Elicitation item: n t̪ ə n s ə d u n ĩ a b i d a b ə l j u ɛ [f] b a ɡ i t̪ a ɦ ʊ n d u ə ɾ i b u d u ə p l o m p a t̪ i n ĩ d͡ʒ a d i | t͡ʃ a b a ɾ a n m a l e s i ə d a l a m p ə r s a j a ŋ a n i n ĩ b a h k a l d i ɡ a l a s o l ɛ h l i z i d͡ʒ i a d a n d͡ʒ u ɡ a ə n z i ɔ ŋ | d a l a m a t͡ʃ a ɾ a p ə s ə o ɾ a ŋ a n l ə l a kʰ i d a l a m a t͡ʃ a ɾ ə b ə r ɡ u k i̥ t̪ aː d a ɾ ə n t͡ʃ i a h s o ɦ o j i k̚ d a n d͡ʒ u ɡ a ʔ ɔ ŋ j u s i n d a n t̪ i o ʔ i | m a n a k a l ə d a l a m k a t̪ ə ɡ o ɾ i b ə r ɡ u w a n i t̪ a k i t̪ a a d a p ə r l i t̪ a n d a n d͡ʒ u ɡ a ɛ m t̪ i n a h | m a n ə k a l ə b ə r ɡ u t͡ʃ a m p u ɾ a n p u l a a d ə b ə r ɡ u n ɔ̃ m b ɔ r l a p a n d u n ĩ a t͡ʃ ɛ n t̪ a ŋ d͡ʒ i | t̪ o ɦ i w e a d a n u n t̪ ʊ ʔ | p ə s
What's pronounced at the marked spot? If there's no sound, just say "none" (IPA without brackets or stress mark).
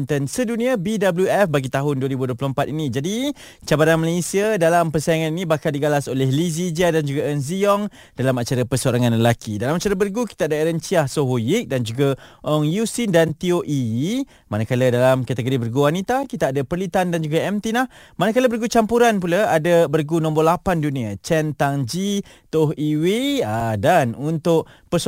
f